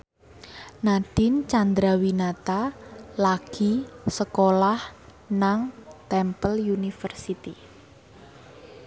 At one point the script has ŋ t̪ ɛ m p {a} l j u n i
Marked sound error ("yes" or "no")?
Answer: yes